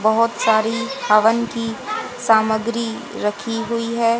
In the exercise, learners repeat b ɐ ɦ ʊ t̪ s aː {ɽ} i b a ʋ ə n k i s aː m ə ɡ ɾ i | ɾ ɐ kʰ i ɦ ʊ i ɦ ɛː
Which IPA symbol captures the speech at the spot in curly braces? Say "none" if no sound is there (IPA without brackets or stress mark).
ɾ